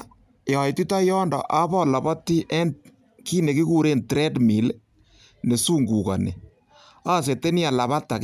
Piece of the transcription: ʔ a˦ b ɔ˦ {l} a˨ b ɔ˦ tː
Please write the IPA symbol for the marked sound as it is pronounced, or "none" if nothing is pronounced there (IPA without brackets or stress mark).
l